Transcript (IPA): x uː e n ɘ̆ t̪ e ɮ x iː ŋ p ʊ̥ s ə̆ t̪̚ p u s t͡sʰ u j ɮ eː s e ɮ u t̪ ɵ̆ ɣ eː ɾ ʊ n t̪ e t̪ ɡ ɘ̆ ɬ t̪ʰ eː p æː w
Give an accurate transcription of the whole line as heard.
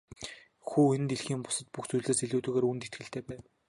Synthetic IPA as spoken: x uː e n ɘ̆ t̪ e ɮ x iː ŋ p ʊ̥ s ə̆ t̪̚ p u x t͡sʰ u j ɮ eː s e ɮ uː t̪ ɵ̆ ɣ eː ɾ u n t̪ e t̪ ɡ ɘ̆ ɬ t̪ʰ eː p æː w